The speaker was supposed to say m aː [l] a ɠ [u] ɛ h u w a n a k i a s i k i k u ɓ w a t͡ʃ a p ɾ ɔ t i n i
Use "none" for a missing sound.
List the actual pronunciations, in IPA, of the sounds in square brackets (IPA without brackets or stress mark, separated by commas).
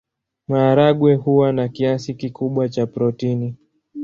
ɾ, w